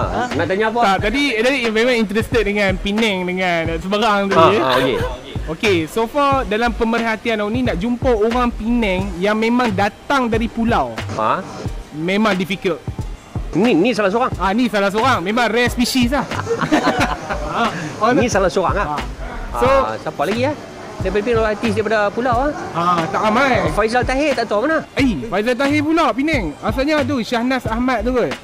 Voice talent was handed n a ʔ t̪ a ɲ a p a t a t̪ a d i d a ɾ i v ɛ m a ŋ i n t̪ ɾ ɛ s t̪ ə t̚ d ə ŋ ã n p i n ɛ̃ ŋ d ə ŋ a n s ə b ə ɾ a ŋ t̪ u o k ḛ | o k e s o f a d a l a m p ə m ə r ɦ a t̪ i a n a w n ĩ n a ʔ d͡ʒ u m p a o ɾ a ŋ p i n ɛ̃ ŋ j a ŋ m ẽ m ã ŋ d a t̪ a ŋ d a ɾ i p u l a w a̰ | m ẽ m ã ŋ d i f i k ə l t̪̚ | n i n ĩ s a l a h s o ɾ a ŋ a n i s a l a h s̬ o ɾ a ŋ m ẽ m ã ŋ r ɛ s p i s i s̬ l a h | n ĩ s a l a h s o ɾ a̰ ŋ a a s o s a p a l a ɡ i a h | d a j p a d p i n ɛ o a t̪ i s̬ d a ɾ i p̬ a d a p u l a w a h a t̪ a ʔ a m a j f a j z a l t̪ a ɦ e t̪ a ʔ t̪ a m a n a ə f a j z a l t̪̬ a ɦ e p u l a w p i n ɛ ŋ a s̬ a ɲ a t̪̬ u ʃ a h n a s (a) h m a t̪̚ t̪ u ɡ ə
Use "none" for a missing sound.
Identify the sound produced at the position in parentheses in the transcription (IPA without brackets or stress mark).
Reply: a